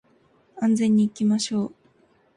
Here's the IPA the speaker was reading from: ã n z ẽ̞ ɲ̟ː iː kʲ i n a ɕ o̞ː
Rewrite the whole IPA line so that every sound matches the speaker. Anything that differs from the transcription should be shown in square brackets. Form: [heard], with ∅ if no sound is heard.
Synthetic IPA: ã n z ẽ̞ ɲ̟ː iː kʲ i [m] a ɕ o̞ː